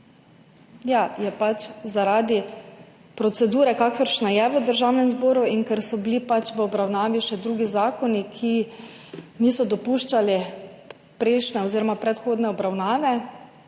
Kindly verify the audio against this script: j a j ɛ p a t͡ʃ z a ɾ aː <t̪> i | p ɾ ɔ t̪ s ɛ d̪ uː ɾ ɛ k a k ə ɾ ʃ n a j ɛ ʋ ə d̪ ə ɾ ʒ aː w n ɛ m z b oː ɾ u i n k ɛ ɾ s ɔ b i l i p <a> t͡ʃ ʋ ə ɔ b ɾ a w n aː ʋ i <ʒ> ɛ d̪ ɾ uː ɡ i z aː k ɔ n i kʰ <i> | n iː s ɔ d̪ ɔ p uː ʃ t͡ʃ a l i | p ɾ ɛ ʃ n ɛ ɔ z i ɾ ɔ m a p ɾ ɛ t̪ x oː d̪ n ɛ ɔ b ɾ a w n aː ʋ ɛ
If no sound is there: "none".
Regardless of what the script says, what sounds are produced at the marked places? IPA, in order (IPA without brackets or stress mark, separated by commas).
d̪, a, ʃ, i